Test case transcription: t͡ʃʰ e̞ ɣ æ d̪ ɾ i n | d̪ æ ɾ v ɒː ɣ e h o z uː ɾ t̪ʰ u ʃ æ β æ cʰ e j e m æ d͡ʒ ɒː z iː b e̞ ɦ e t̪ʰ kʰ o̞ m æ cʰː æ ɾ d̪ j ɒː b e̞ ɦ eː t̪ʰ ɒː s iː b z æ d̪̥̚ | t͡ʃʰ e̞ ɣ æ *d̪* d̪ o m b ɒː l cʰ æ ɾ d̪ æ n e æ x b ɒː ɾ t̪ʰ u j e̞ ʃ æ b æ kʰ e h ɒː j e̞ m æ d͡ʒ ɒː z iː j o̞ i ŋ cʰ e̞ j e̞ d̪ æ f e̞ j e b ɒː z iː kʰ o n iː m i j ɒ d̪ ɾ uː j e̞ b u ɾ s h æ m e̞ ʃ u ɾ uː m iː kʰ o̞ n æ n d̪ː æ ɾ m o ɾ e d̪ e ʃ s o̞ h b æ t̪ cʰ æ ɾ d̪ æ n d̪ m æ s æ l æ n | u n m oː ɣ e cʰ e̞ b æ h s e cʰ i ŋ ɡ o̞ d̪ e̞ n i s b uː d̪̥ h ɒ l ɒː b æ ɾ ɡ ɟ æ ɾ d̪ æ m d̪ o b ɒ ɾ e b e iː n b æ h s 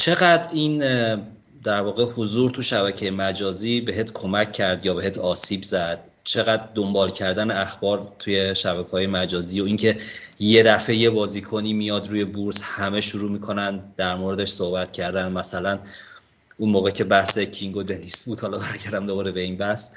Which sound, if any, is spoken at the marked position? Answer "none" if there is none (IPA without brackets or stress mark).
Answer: d̪